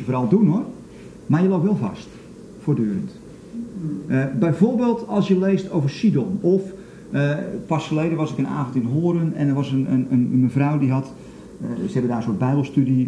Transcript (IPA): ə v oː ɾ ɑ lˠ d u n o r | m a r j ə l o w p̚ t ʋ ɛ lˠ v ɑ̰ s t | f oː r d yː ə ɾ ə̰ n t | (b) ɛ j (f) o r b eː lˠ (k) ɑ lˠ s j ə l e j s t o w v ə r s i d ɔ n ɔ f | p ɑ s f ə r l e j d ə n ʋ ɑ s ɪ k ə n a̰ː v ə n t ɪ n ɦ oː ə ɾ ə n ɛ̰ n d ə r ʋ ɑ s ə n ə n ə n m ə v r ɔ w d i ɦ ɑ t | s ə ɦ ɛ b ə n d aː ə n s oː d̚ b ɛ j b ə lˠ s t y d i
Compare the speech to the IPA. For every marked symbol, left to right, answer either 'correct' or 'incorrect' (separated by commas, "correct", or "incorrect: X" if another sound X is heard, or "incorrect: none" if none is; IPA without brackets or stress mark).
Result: correct, incorrect: v, incorrect: t